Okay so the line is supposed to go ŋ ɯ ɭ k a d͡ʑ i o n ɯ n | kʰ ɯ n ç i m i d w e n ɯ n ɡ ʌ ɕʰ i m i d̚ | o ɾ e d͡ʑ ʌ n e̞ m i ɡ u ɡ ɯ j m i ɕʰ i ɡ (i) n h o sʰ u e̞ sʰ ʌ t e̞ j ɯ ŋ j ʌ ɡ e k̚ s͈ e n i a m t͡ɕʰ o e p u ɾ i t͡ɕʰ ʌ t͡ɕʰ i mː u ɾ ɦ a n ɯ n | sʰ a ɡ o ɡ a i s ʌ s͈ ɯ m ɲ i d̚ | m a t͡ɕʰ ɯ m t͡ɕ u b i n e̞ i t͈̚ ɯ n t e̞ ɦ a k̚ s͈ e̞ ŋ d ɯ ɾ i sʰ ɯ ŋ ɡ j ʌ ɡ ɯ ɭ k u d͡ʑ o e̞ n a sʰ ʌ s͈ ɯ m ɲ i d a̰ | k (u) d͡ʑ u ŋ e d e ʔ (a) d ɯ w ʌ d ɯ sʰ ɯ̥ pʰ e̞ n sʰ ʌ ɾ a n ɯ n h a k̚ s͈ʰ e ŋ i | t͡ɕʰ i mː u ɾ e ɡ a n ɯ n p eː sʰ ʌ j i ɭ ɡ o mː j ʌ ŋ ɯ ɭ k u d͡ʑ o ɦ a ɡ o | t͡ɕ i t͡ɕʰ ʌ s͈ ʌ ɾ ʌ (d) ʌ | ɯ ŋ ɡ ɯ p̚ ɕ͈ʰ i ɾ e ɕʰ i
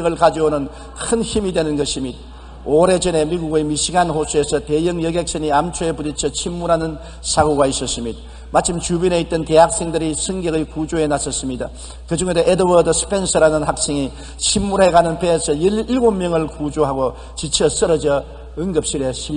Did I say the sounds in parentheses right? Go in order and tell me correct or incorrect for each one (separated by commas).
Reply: incorrect, incorrect, incorrect, incorrect